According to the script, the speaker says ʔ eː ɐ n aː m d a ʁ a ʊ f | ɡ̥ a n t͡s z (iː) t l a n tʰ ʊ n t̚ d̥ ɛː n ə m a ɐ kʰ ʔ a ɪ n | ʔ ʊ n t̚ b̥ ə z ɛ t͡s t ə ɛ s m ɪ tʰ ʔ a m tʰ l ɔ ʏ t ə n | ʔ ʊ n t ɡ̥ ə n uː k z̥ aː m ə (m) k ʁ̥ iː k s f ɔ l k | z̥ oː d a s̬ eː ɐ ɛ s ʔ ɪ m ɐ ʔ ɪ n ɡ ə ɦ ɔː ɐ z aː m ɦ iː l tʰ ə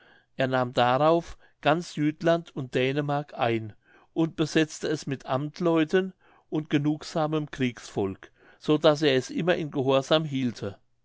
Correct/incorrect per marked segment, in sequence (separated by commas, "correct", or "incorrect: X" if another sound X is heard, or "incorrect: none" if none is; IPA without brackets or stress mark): incorrect: yː, correct